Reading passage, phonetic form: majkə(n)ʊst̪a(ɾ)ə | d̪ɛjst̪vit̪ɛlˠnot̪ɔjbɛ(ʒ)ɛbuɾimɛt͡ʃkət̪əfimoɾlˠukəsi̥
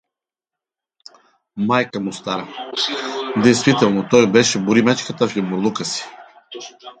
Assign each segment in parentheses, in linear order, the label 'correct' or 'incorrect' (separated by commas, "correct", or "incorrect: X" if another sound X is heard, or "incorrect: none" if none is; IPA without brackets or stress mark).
incorrect: m, correct, incorrect: ʃ